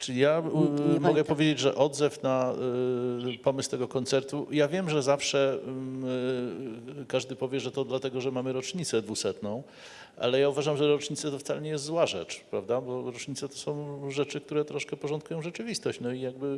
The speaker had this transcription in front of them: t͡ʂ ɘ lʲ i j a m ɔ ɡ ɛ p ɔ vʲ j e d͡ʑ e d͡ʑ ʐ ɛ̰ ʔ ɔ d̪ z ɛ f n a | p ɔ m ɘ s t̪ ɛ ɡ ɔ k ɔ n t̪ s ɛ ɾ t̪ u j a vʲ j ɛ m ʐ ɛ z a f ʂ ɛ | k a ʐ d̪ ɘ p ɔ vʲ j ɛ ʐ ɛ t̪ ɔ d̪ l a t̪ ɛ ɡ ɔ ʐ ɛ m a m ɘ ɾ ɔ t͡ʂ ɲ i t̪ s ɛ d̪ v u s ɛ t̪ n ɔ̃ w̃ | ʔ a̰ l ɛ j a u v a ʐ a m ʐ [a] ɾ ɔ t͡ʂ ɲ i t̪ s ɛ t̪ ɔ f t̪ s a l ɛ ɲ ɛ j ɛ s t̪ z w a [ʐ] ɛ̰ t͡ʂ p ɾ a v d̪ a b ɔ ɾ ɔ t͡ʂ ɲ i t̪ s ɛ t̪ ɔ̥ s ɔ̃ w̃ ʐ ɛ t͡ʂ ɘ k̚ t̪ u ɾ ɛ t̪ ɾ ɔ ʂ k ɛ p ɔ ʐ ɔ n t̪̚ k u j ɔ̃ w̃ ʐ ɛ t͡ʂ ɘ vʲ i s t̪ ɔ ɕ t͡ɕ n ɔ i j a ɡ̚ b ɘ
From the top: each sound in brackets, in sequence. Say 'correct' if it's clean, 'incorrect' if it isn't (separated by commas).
incorrect, correct